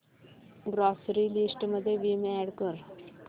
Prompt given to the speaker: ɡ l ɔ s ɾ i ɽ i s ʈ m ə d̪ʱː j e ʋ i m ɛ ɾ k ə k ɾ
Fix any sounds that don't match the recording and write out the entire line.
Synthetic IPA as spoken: ɡ ɾ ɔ s ɾ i l i s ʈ m ə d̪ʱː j e ʋ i m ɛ ɽ k ə ɾ